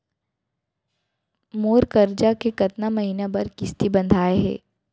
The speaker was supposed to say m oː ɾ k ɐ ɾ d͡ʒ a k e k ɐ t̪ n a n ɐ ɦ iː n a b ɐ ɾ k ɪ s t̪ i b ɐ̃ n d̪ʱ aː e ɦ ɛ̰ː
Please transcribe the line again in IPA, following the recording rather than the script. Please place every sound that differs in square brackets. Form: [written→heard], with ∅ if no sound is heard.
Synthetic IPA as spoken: m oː ɾ k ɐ ɾ d͡ʒ a k e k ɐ t̪ n a [n→m] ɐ ɦ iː n a b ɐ ɾ k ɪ s t̪ i b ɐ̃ n d̪ʱ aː e ɦ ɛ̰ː

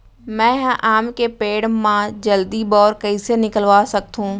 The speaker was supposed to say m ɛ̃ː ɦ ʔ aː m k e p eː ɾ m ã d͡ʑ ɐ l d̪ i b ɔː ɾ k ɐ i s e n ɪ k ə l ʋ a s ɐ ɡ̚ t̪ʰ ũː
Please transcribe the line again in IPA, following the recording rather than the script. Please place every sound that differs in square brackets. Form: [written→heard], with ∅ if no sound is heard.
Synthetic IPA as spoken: m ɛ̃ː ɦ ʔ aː m k e p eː [ɾ→ɽ] m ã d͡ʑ ɐ l d̪ i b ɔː ɾ k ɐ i s e n ɪ k ə l ʋ a s ɐ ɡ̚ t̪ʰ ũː

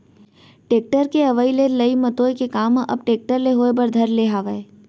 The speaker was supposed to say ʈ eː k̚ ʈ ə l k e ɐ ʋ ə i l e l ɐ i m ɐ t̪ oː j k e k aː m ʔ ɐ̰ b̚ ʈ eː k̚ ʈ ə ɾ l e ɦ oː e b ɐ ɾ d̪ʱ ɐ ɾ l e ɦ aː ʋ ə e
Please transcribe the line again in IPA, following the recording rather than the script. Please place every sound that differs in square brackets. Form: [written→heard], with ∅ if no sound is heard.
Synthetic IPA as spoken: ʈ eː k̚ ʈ ə [l→ɾ] k e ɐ ʋ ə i l e l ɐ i m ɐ t̪ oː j k e k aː m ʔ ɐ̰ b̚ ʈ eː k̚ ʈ ə ɾ l e ɦ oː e b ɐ ɾ d̪ʱ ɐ ɾ l e ɦ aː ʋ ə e

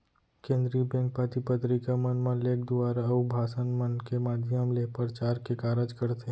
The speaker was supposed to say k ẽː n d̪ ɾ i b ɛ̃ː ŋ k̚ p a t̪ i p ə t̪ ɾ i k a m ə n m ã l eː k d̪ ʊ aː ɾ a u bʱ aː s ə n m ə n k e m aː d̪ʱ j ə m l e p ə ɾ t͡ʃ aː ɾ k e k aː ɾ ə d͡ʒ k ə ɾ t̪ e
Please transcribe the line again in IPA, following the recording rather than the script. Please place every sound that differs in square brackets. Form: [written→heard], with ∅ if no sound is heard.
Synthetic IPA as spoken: k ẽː n d̪ ɾ i b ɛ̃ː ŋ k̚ p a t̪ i p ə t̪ ɾ i k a m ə n m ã l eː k d̪ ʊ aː ɾ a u bʱ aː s ə n m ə n k e m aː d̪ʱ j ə m l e p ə ɾ t͡ʃ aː ɾ k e k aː ɾ ə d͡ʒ k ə ɾ t̪ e

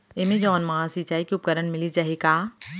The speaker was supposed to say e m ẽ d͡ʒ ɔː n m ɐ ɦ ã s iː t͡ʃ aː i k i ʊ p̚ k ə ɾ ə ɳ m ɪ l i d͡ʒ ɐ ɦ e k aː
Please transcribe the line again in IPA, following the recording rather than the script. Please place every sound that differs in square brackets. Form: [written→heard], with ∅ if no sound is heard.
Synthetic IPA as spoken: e m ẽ d͡ʒ ɔː n m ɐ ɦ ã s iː t͡ʃ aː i k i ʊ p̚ k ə ɾ ə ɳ m ɪ l i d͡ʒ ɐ ɦ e k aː

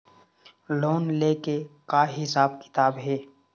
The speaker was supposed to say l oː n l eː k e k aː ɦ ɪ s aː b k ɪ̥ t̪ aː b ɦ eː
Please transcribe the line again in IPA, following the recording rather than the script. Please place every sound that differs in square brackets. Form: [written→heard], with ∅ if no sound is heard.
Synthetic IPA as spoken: l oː n l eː k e k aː ɦ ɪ s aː b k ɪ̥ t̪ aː b ɦ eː

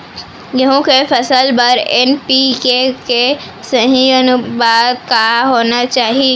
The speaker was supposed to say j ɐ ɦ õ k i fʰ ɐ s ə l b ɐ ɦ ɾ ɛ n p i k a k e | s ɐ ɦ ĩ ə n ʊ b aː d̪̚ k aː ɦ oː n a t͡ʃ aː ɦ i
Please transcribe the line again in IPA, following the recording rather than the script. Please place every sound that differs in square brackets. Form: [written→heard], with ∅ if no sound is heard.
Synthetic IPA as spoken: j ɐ ɦ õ k [i→e] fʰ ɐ s ə l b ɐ [ɦ→∅] ɾ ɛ n p i k [a→e] k e | s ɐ ɦ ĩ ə n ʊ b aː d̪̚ k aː ɦ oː n a t͡ʃ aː ɦ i

